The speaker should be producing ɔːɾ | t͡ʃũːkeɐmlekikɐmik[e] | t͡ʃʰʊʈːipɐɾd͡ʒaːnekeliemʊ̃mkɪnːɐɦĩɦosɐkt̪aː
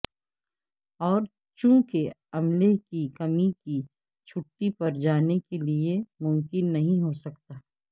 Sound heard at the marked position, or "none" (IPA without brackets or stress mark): i